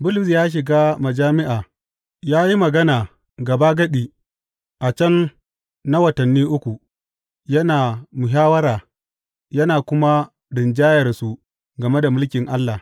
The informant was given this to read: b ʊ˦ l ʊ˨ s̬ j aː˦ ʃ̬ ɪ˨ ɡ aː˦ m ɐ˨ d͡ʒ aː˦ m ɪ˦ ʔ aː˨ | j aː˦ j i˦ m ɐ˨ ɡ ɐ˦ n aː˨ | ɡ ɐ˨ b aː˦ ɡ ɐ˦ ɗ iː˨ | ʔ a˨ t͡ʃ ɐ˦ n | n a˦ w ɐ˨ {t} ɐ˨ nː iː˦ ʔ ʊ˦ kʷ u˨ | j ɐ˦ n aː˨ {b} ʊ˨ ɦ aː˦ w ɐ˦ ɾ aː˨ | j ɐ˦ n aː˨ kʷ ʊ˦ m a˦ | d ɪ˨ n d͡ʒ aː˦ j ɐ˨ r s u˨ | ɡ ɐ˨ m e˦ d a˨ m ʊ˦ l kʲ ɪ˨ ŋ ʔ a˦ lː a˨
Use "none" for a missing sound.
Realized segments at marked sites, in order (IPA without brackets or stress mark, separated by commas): t, m